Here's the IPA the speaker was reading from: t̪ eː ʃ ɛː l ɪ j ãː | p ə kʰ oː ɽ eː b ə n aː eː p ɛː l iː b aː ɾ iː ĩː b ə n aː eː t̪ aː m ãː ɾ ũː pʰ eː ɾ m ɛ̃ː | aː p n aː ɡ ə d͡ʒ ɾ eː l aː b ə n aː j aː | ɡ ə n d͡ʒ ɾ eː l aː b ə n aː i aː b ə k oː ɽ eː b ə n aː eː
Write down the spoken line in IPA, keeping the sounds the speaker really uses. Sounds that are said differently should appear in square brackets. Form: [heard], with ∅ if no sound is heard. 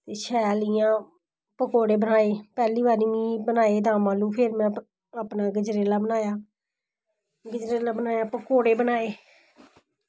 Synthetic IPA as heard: t̪ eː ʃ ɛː l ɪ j ãː | p ə [k] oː ɽ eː b ə n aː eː p ɛː l iː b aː ɾ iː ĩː b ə n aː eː [d̪] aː m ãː [l] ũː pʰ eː ɾ m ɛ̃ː | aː p n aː ɡ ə d͡ʒ ɾ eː l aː b ə n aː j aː | ɡ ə [∅] d͡ʒ ɾ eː l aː b ə n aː [j] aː [p] ə k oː ɽ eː b ə n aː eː